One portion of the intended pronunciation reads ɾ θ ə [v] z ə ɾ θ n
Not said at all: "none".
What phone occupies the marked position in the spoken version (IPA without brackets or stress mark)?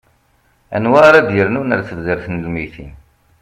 v